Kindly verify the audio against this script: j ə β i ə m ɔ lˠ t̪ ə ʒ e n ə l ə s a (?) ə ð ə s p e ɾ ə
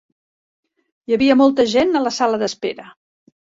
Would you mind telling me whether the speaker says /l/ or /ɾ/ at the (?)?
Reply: l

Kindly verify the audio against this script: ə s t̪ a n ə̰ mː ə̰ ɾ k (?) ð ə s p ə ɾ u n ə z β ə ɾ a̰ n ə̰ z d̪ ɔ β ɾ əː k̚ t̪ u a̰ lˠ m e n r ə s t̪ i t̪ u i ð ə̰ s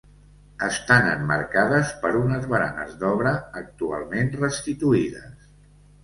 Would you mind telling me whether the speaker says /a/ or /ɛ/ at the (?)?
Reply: a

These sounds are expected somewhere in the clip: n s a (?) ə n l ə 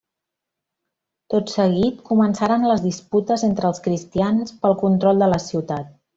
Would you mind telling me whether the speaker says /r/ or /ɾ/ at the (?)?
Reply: ɾ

